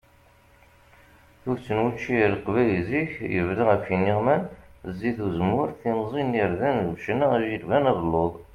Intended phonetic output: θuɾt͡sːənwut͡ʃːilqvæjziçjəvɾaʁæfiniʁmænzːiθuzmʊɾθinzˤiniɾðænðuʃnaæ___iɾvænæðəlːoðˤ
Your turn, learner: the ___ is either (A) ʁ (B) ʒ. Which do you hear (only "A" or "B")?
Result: B